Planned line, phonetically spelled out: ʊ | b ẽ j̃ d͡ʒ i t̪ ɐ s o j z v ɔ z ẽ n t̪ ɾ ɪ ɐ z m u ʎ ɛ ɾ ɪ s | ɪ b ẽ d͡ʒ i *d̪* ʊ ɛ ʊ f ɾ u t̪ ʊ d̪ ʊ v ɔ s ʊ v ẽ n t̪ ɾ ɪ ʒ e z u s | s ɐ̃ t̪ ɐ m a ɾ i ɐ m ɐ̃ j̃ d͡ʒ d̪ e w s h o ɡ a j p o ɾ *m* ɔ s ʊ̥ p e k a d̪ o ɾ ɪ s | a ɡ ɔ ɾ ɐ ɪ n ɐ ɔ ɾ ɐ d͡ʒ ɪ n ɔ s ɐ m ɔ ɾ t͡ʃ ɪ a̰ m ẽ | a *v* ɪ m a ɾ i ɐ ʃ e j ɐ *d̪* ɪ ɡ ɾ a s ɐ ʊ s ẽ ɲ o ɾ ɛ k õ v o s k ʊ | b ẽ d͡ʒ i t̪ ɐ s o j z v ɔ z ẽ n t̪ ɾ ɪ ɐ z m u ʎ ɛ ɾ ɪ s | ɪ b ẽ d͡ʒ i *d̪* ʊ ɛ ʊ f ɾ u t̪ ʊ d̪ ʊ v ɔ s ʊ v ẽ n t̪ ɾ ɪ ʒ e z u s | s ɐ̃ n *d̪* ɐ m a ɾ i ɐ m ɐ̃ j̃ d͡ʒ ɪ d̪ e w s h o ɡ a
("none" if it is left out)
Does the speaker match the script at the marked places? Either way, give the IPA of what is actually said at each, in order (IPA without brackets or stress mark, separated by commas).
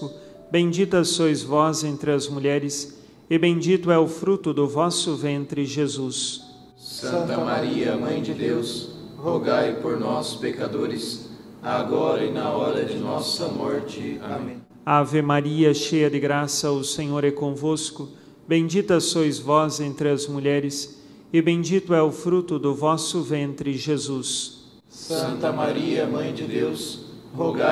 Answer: t̪, n, v, d̪, t̪, t̪